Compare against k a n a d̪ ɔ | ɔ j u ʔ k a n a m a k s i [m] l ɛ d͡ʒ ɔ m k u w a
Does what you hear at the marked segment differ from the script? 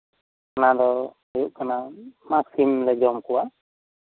no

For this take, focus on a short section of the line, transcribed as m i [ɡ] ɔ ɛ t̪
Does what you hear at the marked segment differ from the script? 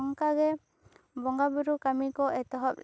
yes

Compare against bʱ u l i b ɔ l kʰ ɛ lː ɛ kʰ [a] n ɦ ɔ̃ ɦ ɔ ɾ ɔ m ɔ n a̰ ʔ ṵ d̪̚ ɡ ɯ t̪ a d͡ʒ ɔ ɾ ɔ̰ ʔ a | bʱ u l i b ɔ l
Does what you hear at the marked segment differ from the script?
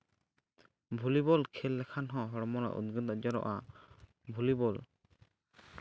no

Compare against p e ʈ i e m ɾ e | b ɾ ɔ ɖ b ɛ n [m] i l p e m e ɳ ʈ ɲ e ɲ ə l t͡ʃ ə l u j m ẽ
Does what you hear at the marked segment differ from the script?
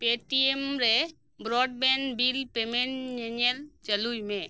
yes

